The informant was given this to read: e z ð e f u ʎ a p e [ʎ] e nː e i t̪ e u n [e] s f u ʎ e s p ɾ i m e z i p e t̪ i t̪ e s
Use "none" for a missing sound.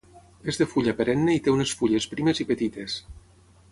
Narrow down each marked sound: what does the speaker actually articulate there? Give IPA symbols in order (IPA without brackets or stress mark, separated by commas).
ɾ, e